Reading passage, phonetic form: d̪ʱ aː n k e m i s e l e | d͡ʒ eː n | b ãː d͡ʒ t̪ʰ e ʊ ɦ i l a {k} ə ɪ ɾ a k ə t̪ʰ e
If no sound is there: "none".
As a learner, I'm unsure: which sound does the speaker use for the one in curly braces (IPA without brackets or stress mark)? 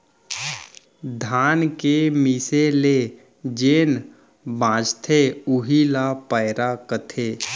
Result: p